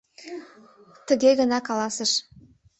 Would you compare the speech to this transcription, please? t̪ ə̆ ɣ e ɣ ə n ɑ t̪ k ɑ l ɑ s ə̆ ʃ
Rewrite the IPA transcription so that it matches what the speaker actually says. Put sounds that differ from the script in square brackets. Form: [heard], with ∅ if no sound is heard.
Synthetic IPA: t̪ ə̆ ɣ e ɣ ə n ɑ [∅] k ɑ l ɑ s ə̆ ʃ